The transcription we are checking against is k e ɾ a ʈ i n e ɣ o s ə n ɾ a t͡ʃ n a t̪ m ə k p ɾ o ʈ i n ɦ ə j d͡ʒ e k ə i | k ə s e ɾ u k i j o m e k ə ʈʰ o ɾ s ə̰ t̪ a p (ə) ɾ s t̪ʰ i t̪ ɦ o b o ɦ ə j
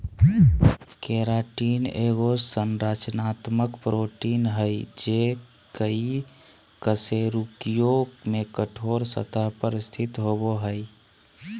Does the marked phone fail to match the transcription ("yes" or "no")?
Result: no